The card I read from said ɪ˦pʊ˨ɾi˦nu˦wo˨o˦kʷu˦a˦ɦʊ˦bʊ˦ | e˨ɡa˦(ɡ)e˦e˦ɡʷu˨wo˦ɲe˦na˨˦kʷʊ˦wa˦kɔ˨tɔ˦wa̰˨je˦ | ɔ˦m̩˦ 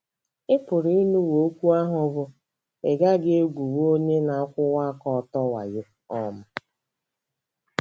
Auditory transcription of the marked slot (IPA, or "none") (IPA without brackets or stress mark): ɡ